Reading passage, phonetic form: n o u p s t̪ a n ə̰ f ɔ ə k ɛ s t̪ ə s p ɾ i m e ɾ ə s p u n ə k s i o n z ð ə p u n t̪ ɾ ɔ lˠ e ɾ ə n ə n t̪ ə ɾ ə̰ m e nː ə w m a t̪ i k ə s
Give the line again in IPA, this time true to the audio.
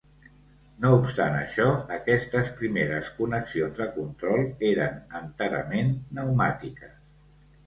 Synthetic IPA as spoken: n o u p s t̪ a n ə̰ ʃ ɔ ə k ɛ s t̪ ə s p ɾ i m e ɾ ə s k u n ə k s i o n z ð ə k u n t̪ ɾ ɔ lˠ e ɾ ə n ə n t̪ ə ɾ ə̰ m e nː ə w m a t̪ i k ə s